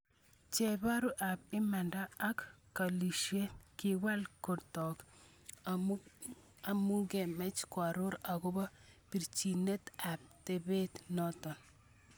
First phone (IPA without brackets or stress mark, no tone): t͡ʃ